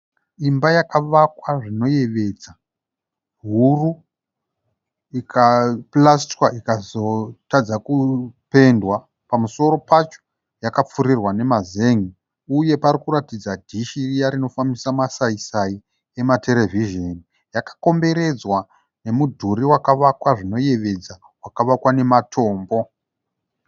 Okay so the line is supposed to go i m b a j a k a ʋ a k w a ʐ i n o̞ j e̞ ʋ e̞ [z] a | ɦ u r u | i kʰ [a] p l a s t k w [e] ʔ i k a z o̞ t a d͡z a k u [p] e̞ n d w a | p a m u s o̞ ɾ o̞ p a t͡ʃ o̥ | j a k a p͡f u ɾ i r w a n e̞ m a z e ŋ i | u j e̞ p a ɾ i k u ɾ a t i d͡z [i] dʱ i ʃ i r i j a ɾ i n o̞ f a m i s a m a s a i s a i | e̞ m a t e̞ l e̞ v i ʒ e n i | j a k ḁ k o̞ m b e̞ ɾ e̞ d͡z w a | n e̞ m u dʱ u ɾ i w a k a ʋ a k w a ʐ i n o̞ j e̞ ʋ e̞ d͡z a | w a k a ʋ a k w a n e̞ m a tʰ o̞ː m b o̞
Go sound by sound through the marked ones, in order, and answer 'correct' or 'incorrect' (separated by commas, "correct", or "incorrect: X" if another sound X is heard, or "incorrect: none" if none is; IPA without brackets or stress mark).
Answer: incorrect: d͡z, correct, incorrect: a, correct, incorrect: a